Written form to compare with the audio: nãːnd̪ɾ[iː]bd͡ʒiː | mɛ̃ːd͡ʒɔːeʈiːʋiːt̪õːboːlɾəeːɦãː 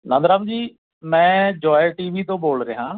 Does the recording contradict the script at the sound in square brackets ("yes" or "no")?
yes